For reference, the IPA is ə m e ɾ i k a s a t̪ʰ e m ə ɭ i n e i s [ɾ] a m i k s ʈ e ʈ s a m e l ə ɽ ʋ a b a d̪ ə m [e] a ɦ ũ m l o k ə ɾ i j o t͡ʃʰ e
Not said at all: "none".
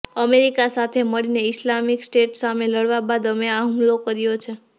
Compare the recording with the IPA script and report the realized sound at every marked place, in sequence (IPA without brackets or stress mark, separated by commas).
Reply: l, e